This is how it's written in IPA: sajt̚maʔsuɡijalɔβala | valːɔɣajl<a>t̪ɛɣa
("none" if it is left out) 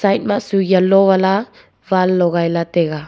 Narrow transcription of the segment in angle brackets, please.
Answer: a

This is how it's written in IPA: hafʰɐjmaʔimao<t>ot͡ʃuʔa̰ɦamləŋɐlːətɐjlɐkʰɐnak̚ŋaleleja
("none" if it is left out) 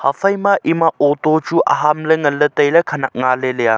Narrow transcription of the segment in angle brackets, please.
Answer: t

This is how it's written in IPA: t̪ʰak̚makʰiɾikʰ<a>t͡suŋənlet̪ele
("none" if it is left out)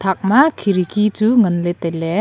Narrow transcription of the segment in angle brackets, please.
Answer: i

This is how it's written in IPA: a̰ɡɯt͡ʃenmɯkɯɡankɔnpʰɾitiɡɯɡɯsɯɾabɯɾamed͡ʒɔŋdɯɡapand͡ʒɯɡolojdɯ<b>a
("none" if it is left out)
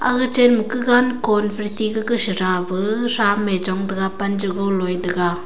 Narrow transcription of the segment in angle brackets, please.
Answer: ɡ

